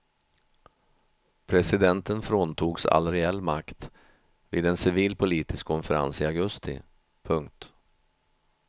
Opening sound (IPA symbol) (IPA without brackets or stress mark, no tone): pʰ